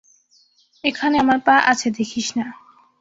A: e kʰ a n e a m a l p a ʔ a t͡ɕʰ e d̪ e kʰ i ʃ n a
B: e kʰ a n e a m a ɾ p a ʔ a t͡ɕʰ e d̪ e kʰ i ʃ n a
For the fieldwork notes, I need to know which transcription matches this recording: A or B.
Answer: B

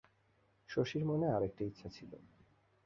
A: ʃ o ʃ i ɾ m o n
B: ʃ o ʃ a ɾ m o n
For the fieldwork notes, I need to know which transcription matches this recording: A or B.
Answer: A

